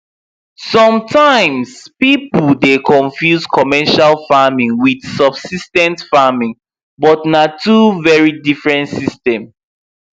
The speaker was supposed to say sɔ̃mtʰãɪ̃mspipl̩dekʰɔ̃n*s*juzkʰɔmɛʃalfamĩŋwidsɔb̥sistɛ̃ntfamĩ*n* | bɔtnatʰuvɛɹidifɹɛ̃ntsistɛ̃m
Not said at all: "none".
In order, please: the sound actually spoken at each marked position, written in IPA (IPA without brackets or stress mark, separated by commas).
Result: f, ŋ